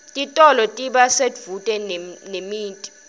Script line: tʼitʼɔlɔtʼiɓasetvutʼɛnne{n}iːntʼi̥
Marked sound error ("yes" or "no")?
yes